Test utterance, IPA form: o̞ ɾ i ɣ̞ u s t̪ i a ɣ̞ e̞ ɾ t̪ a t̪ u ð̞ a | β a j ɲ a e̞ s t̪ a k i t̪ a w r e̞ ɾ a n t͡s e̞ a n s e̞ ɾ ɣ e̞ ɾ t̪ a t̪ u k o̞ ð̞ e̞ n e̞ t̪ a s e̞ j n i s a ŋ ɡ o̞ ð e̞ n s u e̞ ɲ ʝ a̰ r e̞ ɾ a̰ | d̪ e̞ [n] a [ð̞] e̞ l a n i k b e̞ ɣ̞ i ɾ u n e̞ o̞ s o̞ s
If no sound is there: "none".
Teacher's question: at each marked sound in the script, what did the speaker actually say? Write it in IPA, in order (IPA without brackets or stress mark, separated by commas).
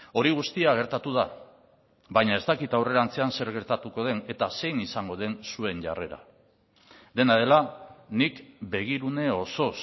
n, ð̞